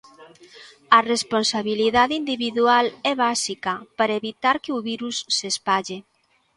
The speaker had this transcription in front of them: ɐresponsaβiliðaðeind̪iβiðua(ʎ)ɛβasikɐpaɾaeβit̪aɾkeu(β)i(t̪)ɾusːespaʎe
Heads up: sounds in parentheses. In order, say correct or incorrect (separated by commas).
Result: incorrect, correct, incorrect